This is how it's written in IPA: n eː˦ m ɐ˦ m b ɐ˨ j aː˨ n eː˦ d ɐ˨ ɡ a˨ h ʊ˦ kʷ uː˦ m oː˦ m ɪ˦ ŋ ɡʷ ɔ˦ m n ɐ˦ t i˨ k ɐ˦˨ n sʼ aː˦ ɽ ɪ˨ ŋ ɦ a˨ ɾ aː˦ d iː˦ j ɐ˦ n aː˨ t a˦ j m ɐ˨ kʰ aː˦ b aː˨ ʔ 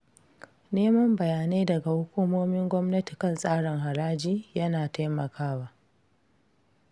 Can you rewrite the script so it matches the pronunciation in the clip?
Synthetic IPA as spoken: n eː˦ m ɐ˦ m b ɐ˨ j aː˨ n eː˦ d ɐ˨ ɡ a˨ h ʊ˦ kʷ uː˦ m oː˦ m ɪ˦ ŋ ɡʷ ɔ˦ m n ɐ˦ t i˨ k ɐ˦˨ n sʼ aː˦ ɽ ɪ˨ ŋ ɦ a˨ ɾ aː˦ d͡ʒ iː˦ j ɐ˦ n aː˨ t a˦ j m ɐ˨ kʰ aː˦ w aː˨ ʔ